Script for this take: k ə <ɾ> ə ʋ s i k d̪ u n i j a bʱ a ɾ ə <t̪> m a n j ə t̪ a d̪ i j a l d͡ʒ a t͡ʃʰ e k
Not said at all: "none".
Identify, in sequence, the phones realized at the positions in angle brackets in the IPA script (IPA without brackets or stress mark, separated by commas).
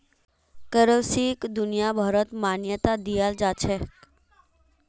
ɾ, t̪